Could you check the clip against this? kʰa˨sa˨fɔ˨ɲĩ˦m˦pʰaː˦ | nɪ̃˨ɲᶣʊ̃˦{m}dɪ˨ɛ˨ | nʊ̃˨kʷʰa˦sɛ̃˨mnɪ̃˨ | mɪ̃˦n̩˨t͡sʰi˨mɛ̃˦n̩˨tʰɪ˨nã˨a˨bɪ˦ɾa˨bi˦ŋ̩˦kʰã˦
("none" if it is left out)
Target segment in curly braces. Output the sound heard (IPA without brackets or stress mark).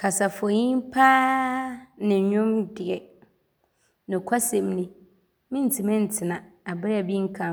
m